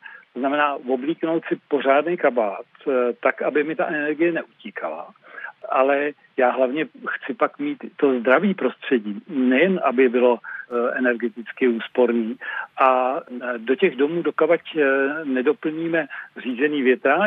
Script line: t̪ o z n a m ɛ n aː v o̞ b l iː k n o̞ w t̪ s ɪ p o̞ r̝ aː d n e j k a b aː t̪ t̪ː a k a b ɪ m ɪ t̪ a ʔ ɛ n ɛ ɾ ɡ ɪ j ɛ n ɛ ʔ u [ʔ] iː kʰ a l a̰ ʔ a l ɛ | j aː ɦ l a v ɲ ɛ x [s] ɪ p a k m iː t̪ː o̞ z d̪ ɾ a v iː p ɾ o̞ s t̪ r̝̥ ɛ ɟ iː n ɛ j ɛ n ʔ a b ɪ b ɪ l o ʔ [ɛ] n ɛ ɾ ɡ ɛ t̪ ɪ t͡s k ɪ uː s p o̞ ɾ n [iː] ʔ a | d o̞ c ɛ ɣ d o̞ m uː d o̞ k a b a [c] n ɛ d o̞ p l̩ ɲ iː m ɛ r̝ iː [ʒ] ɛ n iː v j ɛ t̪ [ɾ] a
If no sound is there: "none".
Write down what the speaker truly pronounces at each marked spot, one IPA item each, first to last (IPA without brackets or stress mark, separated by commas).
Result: c, t͡s, ɛ, iː, c, z, ɾ